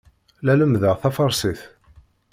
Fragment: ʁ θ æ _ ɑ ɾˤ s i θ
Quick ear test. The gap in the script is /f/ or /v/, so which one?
f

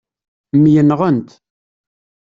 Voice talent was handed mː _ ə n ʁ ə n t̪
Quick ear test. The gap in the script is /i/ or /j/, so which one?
j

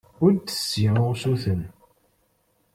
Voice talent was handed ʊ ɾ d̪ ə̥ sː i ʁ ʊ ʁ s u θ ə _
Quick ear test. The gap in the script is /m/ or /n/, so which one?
n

